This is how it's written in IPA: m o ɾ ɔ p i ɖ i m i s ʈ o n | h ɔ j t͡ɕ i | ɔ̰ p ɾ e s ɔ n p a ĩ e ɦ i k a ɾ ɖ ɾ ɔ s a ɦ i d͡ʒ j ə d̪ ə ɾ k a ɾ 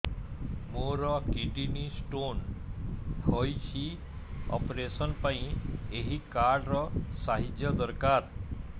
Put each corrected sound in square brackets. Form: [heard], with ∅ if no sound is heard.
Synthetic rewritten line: m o ɾ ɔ [k] i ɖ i [n] i s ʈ o n | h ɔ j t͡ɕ i | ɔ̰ p ɾ e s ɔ n p a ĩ e ɦ i k a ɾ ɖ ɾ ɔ s a ɦ i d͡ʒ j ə d̪ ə ɾ k a ɾ